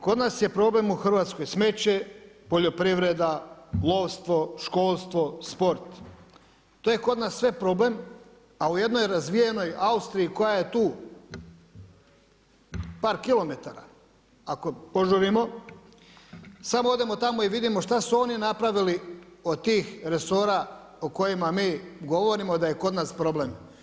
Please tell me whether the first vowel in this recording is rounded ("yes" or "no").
yes